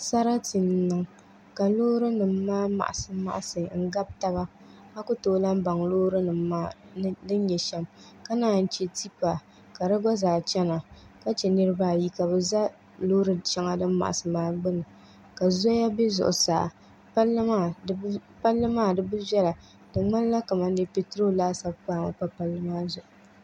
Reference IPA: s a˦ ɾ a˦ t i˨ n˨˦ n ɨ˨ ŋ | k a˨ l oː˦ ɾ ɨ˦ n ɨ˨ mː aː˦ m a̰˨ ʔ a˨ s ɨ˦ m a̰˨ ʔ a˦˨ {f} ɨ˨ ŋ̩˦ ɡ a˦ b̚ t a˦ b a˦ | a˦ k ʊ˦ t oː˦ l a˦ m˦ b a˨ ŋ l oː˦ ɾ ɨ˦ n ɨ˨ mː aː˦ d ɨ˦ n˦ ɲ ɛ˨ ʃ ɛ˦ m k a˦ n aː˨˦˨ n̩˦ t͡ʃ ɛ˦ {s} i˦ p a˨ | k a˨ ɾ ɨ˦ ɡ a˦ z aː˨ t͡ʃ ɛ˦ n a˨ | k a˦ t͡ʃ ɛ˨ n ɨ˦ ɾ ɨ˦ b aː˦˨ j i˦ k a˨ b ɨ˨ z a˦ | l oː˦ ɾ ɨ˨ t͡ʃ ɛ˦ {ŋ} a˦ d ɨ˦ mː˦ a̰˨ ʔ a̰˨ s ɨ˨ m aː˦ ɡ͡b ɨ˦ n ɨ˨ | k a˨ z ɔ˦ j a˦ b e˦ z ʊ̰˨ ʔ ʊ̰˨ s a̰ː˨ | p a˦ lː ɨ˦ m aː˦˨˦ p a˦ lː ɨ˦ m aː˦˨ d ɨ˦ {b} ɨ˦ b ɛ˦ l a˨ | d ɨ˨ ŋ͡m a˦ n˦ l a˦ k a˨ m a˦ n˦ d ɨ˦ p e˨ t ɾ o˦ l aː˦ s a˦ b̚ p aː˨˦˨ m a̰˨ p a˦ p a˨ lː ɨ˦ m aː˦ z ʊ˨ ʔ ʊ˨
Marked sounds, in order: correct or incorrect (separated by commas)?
incorrect, incorrect, correct, correct